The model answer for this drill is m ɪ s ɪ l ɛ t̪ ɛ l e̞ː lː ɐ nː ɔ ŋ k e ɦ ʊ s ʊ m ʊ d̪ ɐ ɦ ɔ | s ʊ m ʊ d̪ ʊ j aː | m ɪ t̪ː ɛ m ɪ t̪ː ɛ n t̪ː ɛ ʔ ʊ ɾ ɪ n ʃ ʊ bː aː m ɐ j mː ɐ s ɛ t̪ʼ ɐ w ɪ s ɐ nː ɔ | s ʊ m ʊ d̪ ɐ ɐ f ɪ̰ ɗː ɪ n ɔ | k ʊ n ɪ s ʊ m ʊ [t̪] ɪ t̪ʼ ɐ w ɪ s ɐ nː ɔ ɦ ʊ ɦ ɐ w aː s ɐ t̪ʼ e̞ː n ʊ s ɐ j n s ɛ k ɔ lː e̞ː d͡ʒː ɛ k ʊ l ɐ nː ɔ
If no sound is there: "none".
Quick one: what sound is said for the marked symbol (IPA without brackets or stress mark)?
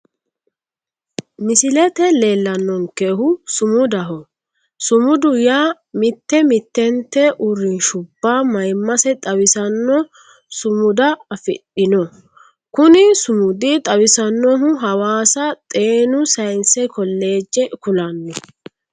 d̪